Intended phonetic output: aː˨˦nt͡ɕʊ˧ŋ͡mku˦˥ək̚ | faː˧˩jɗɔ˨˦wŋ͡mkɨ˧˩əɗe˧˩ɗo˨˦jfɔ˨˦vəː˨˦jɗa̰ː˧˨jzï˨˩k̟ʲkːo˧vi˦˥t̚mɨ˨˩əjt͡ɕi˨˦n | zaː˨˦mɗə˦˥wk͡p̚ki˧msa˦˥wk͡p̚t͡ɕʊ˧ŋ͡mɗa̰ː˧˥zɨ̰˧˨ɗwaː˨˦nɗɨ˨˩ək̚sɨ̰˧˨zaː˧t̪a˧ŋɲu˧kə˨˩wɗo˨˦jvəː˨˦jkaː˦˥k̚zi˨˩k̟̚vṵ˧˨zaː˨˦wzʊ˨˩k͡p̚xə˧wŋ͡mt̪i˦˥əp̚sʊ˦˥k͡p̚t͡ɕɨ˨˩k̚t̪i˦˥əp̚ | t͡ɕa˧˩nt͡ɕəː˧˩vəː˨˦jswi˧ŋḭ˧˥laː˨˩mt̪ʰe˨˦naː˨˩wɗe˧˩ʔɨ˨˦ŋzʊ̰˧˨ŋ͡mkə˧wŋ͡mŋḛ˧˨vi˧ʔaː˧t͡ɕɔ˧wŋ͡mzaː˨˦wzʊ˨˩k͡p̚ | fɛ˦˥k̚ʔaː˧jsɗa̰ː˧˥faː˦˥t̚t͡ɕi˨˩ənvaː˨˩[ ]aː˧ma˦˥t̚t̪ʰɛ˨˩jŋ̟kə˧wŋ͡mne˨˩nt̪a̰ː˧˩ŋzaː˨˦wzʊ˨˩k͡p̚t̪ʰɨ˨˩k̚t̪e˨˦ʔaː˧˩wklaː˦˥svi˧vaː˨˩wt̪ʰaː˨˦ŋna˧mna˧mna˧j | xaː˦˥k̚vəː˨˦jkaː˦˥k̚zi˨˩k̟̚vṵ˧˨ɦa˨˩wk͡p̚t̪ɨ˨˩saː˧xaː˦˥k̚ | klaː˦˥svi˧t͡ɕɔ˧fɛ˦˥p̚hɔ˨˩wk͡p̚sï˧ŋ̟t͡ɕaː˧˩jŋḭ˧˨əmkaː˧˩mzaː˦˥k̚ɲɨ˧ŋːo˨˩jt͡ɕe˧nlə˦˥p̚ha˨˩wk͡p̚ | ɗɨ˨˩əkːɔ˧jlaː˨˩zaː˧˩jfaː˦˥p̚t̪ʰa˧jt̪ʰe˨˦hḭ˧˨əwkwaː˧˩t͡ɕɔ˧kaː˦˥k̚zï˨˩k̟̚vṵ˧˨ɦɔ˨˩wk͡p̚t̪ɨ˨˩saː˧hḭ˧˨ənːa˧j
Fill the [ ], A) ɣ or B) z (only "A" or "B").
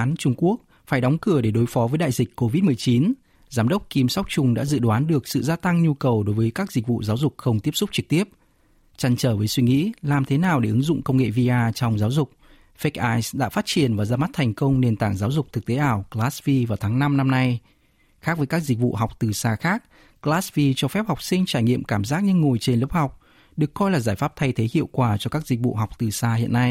B